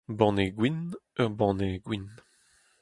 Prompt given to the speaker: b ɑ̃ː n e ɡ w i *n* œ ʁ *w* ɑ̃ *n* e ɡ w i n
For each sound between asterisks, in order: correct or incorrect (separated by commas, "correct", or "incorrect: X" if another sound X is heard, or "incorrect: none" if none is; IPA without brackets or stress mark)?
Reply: correct, incorrect: b, correct